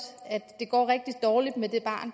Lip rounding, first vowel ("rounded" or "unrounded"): unrounded